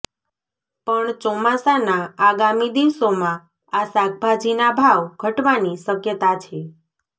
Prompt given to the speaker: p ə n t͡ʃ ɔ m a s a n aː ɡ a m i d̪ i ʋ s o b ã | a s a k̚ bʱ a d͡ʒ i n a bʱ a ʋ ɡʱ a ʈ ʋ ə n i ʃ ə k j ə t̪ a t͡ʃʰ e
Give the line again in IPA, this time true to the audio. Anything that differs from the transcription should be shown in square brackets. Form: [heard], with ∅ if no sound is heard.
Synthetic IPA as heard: p ə [ɳ] t͡ʃ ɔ m a s a n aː ɡ a m i d̪ i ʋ s o [m] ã | a s a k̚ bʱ a d͡ʒ i n a bʱ a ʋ ɡʱ [ə] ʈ ʋ [a] n i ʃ ə k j ə t̪ a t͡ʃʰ e